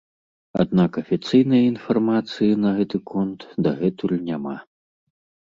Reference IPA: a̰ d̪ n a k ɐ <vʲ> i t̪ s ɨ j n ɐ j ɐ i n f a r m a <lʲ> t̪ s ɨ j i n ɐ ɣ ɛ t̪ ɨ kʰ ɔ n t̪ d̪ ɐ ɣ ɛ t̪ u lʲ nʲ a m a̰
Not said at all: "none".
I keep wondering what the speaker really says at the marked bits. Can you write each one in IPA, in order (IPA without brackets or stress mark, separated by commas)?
fʲ, none